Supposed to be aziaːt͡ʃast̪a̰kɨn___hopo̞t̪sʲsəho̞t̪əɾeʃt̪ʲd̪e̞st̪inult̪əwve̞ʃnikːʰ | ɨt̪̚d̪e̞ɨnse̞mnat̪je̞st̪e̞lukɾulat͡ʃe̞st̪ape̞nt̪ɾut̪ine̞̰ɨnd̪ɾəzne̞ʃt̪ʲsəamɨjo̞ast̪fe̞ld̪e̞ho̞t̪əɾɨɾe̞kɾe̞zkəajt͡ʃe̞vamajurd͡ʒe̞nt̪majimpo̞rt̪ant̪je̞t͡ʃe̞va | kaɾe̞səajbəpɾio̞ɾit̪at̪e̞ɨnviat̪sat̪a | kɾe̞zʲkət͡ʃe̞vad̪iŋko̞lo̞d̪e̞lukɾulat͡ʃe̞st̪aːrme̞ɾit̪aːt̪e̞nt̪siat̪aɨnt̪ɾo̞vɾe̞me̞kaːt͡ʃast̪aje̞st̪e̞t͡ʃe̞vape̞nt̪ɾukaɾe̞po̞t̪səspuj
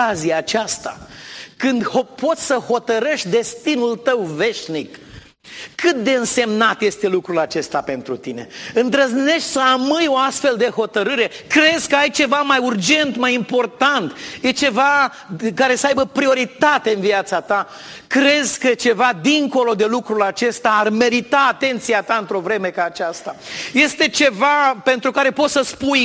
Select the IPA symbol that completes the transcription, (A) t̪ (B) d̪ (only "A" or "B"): B